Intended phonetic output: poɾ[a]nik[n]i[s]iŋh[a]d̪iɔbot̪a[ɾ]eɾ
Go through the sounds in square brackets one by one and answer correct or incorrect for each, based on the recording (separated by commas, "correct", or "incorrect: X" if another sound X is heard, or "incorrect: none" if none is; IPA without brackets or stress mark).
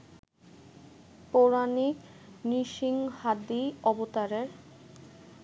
correct, correct, incorrect: ʃ, correct, correct